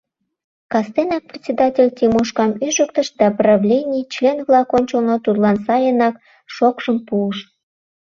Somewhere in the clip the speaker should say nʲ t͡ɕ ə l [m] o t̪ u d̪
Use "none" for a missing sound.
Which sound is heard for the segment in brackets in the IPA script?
n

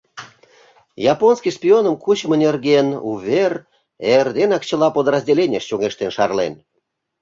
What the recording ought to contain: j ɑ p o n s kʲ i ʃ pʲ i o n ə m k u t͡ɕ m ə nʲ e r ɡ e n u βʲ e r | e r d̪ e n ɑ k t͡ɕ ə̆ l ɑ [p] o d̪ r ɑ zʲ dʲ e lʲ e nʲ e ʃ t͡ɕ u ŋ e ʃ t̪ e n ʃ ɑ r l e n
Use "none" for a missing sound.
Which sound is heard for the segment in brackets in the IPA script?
p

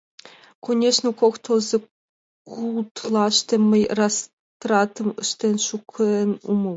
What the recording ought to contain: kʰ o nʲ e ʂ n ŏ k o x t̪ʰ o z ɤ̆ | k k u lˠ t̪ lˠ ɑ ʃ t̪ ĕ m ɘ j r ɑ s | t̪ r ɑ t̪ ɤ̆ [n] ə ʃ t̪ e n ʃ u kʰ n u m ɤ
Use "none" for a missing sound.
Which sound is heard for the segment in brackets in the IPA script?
m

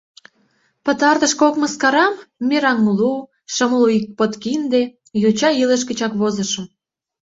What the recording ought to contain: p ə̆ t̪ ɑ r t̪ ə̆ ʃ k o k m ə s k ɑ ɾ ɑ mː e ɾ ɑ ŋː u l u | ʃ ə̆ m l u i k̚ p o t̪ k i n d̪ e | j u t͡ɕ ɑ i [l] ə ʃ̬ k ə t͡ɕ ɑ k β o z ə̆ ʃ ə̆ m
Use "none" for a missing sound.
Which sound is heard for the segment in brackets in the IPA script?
l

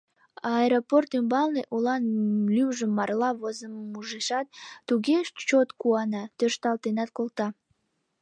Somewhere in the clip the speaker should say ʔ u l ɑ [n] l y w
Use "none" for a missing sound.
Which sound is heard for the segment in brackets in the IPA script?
n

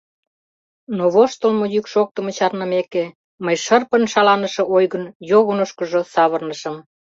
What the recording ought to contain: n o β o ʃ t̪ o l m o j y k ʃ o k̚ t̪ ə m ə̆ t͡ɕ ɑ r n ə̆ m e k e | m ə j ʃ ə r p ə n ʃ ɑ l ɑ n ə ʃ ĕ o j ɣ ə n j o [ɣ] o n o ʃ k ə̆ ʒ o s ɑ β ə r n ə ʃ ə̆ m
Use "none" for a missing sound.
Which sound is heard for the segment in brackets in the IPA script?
ɣ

